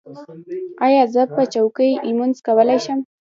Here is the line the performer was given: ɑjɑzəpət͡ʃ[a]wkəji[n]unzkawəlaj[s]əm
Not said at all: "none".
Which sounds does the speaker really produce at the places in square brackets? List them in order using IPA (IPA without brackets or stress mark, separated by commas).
a, m, ʃ